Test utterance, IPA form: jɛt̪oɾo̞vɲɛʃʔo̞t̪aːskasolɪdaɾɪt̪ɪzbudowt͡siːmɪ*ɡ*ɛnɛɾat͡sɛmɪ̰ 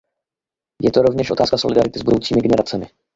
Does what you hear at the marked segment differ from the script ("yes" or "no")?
no